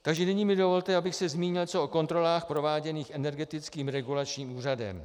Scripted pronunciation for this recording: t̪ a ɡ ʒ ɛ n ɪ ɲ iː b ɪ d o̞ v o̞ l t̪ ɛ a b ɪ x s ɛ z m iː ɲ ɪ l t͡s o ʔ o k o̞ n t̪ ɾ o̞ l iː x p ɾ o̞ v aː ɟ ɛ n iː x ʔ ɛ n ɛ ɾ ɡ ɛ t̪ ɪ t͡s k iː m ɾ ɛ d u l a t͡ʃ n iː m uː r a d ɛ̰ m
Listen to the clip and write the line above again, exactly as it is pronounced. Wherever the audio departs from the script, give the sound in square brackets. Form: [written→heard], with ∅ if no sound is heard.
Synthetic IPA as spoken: t̪ a ɡ ʒ ɛ n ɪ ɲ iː [b→m] ɪ d o̞ v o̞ l t̪ ɛ a b ɪ x s ɛ z m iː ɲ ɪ l t͡s o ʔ o k o̞ n t̪ ɾ o̞ l [iː→aː] x p ɾ o̞ v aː ɟ ɛ n iː x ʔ ɛ n ɛ ɾ ɡ ɛ t̪ ɪ t͡s k iː m ɾ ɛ [d→ɡ] u l a t͡ʃ [n→ɲ] iː m uː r a d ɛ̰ m